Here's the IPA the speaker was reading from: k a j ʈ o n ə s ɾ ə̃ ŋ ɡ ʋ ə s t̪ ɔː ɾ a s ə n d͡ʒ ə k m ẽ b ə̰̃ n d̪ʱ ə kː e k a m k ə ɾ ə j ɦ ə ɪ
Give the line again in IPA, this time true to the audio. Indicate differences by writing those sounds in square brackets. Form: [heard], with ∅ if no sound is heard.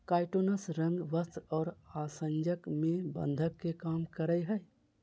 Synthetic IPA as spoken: k a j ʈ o n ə s ɾ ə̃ ŋ ɡ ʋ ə s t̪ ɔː ɾ a s ə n d͡ʒ ə k m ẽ b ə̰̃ n d̪ʱ ə kː e k a m k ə ɾ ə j ɦ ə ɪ